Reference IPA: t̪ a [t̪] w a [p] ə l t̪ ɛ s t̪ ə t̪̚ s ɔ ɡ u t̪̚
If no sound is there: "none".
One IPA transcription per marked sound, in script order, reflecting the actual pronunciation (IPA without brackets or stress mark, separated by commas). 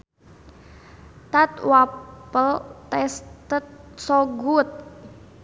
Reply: t̪, p